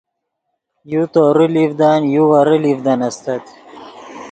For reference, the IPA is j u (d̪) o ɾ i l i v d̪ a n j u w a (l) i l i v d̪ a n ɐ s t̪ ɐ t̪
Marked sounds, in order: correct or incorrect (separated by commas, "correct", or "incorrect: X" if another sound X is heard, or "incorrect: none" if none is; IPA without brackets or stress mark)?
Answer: incorrect: t̪, incorrect: ɾ